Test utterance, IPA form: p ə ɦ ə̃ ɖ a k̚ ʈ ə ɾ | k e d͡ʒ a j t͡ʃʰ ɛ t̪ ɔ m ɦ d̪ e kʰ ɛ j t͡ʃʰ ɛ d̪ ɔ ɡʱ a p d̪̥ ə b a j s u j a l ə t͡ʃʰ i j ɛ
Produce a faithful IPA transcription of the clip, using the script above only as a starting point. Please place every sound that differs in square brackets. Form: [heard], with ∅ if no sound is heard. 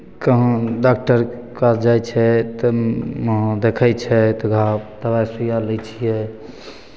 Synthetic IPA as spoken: [k] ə ɦ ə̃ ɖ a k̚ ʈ ə ɾ | k [a] d͡ʒ a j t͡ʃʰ ɛ t̪ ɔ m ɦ d̪ e kʰ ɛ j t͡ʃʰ ɛ [t̪] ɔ ɡʱ a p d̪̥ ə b a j s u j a l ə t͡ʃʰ i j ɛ